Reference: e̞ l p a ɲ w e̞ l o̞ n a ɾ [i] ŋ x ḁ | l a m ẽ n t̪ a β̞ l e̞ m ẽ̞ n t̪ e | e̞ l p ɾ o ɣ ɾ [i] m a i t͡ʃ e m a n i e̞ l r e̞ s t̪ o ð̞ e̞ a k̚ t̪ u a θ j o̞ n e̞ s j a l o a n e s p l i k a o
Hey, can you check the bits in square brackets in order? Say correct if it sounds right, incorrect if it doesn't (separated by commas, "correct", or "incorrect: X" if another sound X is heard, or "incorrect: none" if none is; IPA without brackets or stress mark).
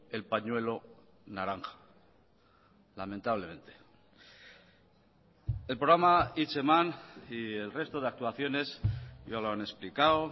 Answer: incorrect: a, incorrect: a